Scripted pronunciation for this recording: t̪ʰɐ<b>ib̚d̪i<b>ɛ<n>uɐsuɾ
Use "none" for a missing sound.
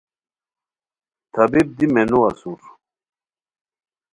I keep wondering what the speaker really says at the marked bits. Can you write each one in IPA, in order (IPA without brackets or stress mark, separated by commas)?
b, m, n